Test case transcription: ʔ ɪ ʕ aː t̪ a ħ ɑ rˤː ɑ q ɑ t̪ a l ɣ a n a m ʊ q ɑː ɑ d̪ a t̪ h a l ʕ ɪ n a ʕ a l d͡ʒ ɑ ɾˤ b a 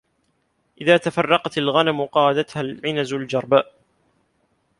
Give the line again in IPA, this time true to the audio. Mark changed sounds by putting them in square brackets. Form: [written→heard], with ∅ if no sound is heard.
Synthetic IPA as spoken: ʔ ɪ [ʕ→ð] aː t̪ a [ħ→f] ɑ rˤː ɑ q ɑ t̪ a l ɣ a n a m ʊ q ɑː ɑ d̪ a t̪ h a l ʕ ɪ n a [ʕ→z] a l d͡ʒ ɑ ɾˤ b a